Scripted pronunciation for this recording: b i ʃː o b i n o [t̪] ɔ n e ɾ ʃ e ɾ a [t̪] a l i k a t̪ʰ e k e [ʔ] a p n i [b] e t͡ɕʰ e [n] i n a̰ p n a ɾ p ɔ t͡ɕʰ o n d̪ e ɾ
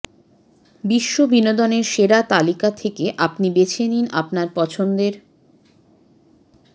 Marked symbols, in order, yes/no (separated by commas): no, yes, yes, yes, yes